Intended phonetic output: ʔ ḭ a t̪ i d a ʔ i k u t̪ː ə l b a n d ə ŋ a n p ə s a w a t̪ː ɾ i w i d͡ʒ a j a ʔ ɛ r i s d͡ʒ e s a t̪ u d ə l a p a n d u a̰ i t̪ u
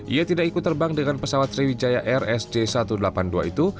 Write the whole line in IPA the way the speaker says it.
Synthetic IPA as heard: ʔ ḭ a t̪ i d a k i k u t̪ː ə r b a ŋ d ə ŋ a n p ə s a w a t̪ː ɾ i w i d͡ʒ a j a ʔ ɛ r ɛ s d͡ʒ e s a t̪ u d ə l a p a n d u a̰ i t̪ u